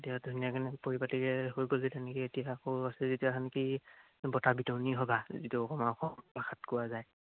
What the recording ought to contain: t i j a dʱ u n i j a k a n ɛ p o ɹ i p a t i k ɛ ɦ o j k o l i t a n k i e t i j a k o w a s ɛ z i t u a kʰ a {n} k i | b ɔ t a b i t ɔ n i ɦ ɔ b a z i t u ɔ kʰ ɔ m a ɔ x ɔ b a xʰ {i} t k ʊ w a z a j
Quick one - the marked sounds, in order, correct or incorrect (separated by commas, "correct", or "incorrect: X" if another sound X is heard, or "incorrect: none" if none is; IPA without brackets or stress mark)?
correct, incorrect: a